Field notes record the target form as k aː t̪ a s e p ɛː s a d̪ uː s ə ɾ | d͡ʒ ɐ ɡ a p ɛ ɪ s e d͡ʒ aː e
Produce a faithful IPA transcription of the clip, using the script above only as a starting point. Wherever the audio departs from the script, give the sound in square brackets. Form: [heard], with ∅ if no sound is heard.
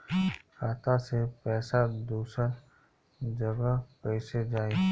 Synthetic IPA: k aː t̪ a s e p ɛː s a d̪ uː s ə ɾ | d͡ʒ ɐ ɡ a p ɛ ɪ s e d͡ʒ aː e